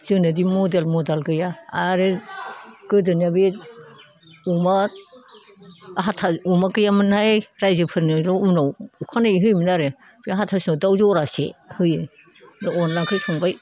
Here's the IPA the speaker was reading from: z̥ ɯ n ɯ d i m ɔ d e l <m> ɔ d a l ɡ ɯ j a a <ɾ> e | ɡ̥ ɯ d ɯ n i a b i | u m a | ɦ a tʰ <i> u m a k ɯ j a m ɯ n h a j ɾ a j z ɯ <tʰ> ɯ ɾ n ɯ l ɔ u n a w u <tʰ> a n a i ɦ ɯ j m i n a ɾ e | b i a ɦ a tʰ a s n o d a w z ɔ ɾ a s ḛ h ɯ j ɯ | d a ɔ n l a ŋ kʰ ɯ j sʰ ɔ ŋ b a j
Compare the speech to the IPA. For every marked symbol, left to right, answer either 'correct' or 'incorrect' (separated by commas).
correct, correct, incorrect, incorrect, incorrect